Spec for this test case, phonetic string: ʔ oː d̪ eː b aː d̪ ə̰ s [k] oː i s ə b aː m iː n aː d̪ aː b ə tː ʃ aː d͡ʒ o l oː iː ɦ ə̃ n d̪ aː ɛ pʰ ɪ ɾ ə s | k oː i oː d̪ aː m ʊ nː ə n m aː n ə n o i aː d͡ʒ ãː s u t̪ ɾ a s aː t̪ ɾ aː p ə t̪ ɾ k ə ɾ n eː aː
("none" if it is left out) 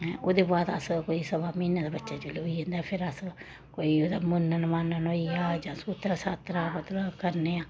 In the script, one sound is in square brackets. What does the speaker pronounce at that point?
k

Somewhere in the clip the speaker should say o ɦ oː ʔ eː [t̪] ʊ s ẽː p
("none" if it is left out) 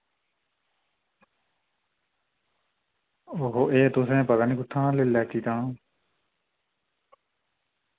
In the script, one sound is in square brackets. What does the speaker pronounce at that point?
t̪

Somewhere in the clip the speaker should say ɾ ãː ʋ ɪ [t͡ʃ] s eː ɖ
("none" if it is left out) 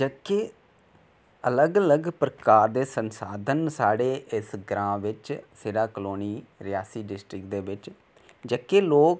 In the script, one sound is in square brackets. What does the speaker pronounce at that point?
t͡ʃ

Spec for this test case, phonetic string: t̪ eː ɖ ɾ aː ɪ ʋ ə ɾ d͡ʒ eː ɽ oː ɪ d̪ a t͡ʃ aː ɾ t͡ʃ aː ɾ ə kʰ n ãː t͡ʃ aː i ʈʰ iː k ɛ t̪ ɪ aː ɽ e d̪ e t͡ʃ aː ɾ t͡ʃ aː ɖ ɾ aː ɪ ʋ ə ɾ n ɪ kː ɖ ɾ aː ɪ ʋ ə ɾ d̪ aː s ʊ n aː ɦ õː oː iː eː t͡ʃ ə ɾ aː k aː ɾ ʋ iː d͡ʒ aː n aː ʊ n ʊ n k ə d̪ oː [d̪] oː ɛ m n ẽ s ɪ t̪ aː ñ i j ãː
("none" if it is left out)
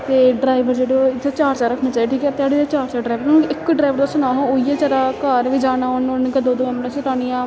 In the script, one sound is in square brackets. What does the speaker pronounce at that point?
d̪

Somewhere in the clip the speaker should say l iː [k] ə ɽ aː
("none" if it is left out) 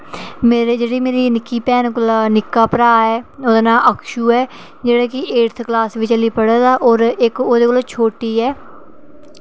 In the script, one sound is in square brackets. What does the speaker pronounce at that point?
p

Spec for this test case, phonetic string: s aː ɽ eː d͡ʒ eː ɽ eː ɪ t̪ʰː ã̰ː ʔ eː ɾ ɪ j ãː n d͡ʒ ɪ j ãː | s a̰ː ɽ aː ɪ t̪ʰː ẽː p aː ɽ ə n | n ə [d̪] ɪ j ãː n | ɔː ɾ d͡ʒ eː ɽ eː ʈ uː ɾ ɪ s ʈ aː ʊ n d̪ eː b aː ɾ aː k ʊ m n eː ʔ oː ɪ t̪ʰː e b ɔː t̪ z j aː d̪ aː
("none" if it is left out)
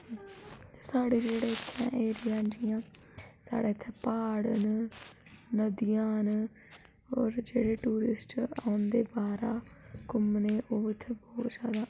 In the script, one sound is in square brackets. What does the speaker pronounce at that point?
d̪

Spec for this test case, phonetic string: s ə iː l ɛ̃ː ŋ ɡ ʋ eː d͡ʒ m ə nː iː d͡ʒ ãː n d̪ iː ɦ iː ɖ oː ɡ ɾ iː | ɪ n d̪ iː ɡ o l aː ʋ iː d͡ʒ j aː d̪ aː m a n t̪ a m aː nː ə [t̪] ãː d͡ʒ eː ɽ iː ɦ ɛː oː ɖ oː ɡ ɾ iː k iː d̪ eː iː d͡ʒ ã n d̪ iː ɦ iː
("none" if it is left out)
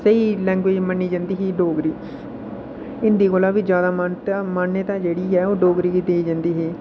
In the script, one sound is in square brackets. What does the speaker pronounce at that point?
t̪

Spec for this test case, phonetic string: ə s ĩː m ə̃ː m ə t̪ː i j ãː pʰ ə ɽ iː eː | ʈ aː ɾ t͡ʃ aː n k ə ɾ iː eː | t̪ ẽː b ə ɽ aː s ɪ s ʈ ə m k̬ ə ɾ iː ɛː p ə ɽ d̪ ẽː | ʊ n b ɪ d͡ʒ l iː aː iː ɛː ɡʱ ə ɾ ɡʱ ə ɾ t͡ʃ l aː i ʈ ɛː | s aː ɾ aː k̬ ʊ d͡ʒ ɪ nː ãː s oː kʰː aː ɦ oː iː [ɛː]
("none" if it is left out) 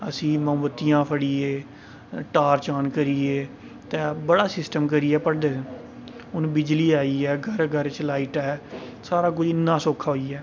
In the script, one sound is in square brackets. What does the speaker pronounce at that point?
ɛː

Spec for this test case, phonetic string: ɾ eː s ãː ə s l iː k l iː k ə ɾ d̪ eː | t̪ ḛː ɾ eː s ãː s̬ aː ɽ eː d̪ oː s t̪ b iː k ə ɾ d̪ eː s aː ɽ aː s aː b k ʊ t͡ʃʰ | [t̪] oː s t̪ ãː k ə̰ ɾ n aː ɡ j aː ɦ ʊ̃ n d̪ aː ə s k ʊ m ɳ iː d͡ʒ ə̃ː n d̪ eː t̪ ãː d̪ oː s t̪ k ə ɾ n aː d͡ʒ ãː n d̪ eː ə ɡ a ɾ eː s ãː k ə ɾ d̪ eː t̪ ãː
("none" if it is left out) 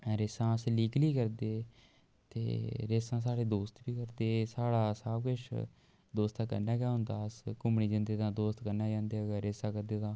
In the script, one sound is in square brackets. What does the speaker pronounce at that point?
d̪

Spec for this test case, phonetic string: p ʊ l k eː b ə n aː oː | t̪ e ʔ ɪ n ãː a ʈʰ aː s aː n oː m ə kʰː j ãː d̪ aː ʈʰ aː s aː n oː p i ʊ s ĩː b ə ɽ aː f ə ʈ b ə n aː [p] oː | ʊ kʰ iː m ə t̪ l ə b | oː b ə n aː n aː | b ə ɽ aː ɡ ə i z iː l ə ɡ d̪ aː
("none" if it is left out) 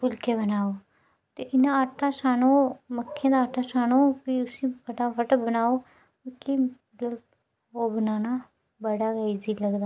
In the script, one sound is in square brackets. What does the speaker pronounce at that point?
none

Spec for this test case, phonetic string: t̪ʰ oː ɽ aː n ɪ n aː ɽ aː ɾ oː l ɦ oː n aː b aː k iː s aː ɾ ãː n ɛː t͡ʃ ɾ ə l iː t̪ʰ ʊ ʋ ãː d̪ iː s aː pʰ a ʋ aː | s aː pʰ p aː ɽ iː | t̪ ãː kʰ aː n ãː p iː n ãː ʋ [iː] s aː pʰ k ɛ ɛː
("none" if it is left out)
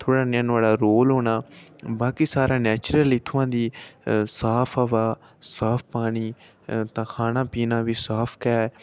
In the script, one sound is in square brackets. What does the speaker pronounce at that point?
iː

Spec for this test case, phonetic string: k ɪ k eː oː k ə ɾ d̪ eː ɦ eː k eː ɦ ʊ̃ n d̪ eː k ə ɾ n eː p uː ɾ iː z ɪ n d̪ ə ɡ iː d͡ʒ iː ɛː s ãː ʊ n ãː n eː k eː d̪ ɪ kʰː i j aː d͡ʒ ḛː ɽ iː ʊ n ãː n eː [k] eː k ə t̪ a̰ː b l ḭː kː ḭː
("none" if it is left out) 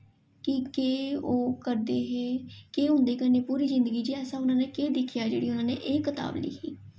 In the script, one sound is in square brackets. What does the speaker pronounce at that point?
ʔ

